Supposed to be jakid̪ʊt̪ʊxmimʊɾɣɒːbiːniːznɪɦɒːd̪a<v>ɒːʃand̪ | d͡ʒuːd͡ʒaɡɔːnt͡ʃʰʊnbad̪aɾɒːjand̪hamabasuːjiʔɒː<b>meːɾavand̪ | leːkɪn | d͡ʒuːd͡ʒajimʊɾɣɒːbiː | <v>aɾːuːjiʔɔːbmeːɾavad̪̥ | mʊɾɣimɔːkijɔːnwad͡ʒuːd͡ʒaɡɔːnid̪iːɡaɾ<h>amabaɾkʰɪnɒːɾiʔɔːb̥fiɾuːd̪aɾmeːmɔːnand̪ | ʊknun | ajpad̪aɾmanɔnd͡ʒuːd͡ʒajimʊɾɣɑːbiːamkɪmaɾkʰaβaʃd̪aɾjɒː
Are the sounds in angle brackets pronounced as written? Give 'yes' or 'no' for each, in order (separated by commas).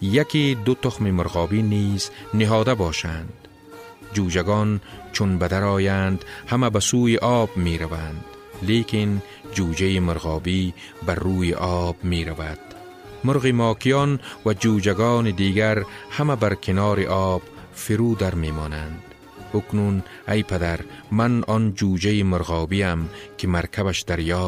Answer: no, yes, no, yes